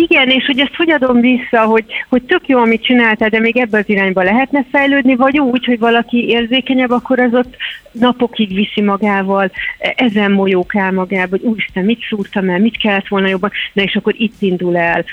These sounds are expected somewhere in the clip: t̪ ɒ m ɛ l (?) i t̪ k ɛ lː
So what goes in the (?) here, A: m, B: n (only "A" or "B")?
A